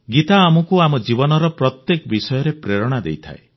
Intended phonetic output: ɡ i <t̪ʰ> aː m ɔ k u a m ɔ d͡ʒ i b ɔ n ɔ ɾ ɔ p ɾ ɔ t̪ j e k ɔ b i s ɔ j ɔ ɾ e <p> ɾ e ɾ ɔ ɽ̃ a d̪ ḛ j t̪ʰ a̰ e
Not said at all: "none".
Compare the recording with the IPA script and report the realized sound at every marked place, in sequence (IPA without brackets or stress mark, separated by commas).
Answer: t̪, p